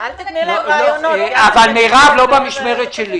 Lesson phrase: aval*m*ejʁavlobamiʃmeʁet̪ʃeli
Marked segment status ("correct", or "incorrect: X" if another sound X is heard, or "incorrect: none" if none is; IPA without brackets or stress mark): correct